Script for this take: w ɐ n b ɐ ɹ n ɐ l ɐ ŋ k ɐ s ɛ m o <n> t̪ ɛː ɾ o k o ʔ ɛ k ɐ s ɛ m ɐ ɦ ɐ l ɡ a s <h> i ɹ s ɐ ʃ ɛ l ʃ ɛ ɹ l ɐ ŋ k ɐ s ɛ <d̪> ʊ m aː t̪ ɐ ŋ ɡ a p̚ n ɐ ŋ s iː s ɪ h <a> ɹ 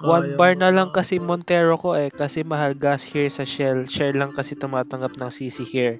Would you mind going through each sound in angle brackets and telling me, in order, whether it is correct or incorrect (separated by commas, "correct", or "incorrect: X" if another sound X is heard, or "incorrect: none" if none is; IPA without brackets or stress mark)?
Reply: correct, correct, incorrect: t̪, incorrect: i